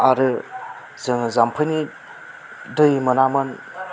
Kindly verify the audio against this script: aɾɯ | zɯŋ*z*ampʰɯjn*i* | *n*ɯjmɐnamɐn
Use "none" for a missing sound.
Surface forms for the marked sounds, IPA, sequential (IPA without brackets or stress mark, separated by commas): z, i, d